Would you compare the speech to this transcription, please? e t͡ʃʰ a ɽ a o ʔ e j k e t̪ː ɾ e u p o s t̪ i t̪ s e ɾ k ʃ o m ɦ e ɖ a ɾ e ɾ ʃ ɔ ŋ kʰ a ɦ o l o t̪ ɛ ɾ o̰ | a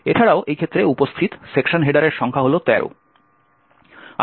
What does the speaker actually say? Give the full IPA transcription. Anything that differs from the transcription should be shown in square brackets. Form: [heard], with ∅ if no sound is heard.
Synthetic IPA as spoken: e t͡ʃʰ a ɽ a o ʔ e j [kʰ] e t̪ː ɾ e u p o s [t̪ʰ] i t̪ s e [∅] k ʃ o [n] ɦ e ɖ a ɾ e ɾ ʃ ɔ ŋ kʰ a ɦ o l o t̪ ɛ ɾ o̰ | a